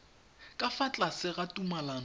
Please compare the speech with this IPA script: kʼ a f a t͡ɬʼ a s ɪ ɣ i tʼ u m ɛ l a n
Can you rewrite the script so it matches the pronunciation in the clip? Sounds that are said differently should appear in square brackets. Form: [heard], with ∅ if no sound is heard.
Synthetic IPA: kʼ a f a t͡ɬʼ a s ɪ ɣ [a] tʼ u m [a] l a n